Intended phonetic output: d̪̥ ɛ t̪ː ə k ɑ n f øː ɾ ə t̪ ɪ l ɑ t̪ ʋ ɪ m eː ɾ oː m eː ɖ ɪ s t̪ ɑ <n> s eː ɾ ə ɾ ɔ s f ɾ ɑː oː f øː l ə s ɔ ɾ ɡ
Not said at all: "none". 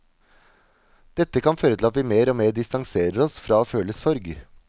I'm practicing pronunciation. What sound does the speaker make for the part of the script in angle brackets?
ŋ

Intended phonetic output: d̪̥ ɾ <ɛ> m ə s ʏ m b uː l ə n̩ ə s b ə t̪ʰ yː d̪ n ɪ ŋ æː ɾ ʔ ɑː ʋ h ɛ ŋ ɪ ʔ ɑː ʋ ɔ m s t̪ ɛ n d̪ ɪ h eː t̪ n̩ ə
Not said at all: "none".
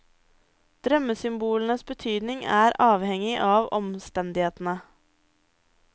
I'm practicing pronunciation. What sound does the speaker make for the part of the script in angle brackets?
œ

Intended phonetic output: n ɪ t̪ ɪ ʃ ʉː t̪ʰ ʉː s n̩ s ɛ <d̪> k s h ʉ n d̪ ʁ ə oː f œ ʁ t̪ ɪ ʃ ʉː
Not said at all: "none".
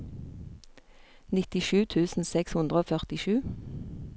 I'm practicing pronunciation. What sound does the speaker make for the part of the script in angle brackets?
none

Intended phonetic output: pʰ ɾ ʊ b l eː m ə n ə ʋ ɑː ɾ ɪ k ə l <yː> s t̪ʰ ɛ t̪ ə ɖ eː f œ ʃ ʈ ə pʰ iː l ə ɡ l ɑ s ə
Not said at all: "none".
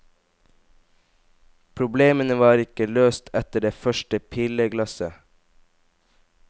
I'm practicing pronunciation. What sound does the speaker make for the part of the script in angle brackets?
øː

